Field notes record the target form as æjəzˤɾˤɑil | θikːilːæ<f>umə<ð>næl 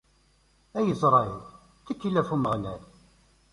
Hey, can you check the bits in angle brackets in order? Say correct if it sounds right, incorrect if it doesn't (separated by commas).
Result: correct, incorrect